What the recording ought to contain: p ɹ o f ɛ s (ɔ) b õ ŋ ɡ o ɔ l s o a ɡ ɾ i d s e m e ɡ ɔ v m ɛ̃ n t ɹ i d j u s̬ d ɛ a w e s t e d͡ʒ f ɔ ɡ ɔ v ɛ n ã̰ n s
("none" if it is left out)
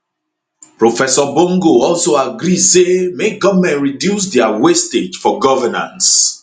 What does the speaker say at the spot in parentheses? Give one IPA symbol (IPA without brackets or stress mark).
ɔ